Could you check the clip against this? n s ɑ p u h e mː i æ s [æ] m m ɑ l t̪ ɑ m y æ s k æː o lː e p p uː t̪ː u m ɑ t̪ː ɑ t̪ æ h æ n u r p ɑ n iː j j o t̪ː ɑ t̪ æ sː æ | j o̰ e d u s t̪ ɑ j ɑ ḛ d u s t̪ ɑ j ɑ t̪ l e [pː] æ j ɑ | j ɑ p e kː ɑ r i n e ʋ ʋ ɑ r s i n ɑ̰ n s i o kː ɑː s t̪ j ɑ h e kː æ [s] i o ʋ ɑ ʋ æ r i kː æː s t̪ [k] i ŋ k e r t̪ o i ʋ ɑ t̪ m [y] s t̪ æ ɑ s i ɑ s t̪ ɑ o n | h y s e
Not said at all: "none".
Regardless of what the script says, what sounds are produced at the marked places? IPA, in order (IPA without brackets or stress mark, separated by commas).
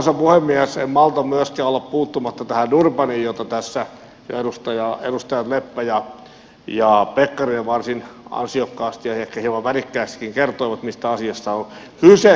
e, pː, h, k, i